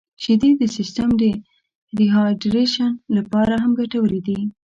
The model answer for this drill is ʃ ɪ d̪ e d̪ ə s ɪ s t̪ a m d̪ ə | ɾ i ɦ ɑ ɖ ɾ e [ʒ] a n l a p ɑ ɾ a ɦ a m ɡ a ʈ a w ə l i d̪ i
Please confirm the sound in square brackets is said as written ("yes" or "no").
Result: no